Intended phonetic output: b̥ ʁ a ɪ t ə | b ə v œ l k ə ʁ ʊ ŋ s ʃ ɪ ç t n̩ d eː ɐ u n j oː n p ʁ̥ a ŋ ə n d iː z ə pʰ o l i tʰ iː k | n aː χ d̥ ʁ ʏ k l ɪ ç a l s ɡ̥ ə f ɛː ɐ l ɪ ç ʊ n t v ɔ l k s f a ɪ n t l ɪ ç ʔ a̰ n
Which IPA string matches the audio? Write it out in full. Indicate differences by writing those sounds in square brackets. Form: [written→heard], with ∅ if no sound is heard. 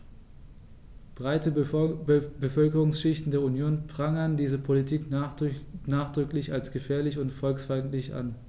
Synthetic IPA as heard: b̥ ʁ a ɪ t ə | b ə [v→f] œ l k ə ʁ ʊ ŋ s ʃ ɪ ç t n̩ d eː ɐ u n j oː n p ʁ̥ a ŋ ə n d iː z ə pʰ o l i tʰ iː k | n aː χ d̥ ʁ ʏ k l ɪ ç a l s ɡ̥ ə f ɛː ɐ l ɪ ç ʊ n t [v→f] ɔ l k s f a ɪ n t l ɪ ç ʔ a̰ n